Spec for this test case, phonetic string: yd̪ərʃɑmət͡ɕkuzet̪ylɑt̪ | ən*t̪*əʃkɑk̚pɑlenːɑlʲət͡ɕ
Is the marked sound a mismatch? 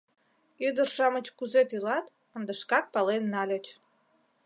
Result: yes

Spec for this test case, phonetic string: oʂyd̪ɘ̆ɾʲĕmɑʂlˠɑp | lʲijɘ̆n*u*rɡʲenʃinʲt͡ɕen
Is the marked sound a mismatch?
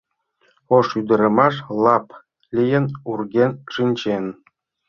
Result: no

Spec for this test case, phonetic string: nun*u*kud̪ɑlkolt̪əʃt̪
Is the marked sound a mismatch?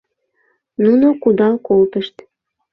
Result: yes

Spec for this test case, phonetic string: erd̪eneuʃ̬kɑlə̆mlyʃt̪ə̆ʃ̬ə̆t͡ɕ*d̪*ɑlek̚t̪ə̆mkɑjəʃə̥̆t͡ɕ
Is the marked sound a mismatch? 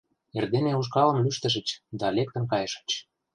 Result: no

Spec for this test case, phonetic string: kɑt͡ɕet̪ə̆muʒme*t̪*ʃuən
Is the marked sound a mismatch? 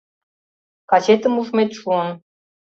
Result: no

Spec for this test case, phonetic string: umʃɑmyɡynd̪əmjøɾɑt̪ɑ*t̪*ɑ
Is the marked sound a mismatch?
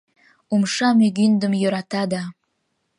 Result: yes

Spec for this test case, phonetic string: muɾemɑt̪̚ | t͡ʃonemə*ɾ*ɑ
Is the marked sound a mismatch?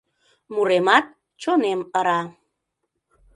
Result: no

